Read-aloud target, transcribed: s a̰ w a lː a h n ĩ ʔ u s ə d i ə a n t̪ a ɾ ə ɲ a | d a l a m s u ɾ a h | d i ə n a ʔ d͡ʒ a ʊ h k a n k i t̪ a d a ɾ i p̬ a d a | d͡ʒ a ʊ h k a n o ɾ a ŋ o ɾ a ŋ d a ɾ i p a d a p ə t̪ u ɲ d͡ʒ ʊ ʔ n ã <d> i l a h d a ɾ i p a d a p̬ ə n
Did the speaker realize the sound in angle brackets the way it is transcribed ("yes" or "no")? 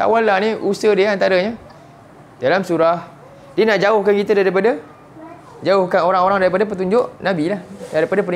no